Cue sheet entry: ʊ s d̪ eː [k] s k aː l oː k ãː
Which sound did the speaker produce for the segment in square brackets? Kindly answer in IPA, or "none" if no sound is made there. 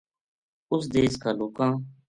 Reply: none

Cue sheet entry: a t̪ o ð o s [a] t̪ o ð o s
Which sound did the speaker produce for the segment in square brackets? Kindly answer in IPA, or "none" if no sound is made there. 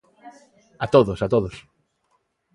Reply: a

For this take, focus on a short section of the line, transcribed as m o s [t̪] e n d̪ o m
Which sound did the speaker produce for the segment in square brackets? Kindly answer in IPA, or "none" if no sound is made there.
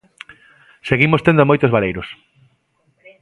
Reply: t̪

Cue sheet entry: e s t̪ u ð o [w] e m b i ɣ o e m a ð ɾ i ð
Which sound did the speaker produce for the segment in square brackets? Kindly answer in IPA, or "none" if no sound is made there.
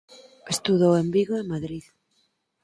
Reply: w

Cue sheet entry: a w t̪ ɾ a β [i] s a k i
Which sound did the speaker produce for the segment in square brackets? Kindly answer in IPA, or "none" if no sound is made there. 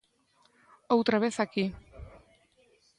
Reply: e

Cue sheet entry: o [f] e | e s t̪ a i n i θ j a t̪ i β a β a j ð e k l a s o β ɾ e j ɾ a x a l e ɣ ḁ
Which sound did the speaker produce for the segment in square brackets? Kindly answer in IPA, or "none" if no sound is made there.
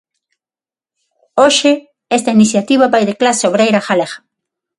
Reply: ʃ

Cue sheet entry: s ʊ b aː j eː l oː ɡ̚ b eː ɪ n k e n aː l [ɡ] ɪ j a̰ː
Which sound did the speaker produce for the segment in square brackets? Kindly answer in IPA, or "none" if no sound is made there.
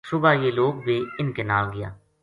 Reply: ɡ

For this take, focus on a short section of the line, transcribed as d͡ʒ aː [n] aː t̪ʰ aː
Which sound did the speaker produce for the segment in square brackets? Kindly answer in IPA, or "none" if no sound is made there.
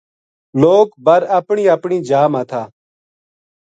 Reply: m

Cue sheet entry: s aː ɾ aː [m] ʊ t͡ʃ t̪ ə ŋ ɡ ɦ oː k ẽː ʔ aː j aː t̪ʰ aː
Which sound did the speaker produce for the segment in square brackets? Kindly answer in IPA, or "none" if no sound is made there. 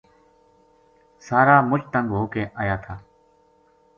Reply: m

